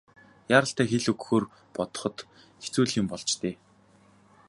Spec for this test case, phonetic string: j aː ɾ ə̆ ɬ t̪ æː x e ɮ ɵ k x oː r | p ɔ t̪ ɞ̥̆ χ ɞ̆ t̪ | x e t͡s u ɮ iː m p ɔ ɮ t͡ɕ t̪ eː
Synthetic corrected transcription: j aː ɾ ə̆ ɬ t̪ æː x e ɮ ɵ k x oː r | p ɔ t̪ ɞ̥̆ χ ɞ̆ t̪ | x e t͡s uː ɮ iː m p ɔ ɮ t͡ɕ t̪ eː